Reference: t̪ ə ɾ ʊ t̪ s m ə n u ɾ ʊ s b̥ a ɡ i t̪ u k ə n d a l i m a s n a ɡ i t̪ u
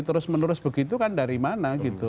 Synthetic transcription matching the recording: t̪ ə ɾ ʊ s m ə n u ɾ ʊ s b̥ ə ɡ i t̪ u k a n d a ɾ i m a n a ɡ i t̪ u